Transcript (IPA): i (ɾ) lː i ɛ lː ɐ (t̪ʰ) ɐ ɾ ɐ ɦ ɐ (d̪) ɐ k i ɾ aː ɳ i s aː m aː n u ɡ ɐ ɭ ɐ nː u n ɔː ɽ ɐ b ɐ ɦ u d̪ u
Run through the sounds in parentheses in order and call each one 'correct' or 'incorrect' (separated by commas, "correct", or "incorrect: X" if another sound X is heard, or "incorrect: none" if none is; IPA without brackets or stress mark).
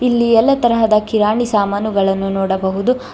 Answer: incorrect: none, incorrect: t̪, correct